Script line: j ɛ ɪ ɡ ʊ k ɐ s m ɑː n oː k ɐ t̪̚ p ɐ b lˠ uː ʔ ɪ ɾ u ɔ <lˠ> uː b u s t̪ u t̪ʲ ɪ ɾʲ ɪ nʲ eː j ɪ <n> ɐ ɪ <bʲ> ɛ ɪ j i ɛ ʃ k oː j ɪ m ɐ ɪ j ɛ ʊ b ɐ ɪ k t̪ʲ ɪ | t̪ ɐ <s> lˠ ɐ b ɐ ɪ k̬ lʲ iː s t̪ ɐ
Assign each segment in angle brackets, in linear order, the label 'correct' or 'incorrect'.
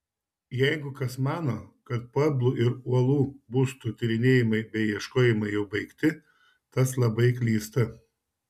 correct, incorrect: m, correct, correct

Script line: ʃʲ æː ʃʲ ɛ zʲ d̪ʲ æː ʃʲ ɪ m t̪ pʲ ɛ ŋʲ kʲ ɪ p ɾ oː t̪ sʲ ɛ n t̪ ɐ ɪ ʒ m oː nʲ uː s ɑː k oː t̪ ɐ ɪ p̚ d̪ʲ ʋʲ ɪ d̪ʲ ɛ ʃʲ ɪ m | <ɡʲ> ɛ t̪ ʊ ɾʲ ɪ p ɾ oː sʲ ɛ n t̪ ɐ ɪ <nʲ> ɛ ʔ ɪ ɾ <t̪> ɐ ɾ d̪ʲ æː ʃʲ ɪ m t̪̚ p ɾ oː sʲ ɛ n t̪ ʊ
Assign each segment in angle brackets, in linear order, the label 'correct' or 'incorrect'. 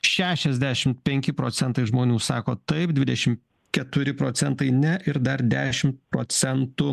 incorrect: kʲ, correct, incorrect: d̪

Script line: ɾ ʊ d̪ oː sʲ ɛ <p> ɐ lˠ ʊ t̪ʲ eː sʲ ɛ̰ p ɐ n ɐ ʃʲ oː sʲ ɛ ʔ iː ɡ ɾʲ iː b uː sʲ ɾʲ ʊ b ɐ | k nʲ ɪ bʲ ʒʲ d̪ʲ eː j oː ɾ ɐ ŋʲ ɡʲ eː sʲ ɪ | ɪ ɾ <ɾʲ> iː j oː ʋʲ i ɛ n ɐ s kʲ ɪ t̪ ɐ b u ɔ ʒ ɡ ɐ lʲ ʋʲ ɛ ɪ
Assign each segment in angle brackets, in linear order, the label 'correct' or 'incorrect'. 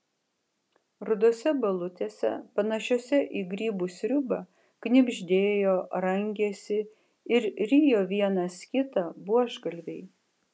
incorrect: b, correct

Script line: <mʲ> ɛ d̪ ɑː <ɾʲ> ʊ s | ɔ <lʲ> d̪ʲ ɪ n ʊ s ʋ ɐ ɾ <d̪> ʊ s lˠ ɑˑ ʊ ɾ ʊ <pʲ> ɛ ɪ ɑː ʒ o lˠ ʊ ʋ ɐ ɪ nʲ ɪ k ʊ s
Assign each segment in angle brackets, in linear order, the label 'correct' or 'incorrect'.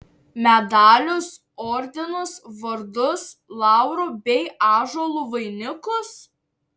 correct, incorrect: lʲ, incorrect: ɾʲ, correct, incorrect: bʲ

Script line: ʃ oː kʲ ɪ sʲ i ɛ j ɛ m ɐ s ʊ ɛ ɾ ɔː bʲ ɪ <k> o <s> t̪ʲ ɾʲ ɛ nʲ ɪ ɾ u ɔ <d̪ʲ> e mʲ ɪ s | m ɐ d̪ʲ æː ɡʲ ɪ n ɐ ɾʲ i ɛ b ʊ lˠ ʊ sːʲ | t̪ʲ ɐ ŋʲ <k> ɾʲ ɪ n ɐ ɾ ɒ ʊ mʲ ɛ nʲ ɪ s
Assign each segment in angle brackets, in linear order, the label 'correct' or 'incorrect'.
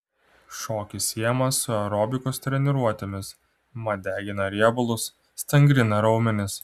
correct, correct, incorrect: t̪ʲ, incorrect: ɡ

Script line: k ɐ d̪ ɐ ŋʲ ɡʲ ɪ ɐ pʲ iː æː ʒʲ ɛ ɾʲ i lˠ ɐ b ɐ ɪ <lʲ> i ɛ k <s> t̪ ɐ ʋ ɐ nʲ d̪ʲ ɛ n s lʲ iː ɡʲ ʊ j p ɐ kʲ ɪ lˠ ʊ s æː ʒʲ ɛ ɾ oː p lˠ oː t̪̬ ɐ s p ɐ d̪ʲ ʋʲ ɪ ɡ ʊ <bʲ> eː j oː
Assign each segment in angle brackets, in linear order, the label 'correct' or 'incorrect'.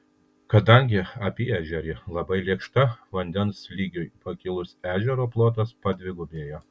correct, incorrect: ʃ, correct

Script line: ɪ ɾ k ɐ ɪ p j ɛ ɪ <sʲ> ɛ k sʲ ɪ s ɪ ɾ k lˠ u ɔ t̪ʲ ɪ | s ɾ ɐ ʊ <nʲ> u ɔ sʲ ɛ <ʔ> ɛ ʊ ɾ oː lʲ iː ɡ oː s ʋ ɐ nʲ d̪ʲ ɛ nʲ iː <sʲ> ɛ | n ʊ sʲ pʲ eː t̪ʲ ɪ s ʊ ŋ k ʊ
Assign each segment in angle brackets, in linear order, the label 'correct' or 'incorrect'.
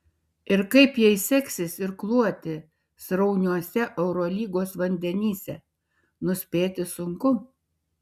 correct, correct, correct, correct

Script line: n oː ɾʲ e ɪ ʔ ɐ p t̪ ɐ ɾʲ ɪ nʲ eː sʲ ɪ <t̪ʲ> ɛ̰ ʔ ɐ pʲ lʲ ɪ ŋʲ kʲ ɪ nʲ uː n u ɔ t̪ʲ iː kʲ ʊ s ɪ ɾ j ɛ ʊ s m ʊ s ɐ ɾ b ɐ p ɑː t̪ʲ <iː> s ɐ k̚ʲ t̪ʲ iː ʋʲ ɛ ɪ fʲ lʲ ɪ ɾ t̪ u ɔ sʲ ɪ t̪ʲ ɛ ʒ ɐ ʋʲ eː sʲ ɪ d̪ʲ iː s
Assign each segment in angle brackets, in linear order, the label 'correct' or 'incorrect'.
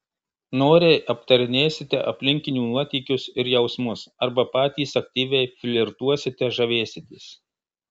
correct, correct

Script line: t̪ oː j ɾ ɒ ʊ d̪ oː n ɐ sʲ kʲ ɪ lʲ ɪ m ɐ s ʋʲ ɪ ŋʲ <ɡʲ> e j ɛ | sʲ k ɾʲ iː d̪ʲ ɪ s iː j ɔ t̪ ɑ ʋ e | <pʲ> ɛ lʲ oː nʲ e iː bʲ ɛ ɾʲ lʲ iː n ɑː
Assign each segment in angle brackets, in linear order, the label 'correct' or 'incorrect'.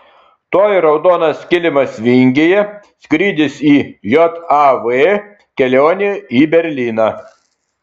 correct, incorrect: kʲ

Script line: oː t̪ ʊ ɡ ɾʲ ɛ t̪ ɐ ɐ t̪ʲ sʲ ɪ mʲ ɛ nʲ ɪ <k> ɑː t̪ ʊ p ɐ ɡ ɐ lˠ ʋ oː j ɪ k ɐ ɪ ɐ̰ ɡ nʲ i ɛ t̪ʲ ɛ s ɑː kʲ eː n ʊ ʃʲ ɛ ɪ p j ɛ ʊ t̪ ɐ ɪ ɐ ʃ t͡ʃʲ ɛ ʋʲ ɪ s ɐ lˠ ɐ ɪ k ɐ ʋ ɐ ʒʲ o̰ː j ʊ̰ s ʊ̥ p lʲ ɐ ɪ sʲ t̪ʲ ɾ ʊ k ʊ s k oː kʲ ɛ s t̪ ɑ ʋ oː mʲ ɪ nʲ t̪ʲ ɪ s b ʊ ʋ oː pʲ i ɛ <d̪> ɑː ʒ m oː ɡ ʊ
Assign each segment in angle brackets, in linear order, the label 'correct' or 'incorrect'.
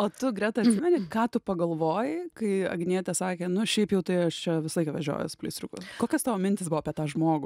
correct, incorrect: t̪

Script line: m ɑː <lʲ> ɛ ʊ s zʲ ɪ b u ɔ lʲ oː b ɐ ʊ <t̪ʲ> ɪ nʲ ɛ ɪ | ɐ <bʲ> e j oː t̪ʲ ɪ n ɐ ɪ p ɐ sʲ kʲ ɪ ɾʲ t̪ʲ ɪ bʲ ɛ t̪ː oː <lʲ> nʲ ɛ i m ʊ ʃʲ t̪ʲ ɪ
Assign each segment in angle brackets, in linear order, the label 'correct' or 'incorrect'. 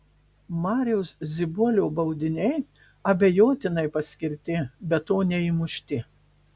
incorrect: ɾʲ, incorrect: d̪ʲ, correct, incorrect: none

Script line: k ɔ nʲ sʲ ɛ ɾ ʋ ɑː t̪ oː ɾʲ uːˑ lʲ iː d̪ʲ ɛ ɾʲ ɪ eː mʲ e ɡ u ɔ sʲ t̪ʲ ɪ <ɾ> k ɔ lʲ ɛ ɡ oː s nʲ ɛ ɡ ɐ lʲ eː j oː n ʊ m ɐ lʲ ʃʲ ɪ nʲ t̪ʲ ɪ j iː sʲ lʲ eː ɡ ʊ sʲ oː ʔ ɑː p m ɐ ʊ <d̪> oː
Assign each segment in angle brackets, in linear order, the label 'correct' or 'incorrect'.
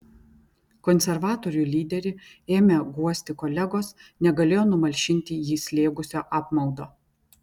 incorrect: none, correct

